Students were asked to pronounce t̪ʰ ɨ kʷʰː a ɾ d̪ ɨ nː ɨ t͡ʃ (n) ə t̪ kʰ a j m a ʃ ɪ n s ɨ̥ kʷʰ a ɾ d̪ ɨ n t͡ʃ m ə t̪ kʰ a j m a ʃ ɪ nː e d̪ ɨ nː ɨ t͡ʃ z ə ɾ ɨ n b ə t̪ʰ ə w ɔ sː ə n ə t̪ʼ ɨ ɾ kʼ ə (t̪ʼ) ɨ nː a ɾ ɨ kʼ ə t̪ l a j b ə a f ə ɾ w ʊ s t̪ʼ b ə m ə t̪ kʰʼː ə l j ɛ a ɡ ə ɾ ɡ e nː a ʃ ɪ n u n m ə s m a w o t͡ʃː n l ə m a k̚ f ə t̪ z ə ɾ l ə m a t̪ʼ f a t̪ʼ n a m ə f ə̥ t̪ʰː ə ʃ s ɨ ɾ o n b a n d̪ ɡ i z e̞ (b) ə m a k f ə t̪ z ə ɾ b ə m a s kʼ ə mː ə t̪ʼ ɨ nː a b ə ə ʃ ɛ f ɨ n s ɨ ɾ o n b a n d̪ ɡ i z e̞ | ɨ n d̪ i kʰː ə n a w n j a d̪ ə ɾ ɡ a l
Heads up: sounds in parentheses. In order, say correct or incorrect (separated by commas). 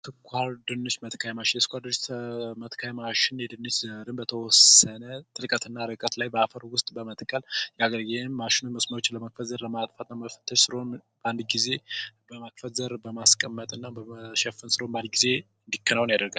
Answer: incorrect, incorrect, correct